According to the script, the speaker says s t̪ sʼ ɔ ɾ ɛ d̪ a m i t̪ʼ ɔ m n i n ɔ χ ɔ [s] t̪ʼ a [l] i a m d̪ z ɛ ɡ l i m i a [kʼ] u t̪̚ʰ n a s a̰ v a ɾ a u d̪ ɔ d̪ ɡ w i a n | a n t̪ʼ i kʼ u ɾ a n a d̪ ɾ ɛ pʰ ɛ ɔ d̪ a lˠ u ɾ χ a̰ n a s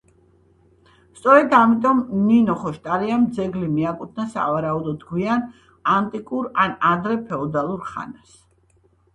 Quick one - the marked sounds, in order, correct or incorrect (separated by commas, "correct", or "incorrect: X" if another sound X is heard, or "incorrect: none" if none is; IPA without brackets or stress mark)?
incorrect: ʃ, incorrect: ɾ, correct